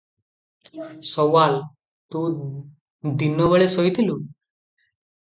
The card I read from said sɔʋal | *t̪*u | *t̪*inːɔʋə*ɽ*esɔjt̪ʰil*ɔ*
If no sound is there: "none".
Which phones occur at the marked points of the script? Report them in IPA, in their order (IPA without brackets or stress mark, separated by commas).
t̪, d̪, ɭ, u